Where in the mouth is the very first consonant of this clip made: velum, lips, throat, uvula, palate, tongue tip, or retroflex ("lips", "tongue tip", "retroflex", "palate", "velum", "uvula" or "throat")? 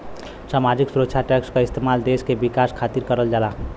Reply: tongue tip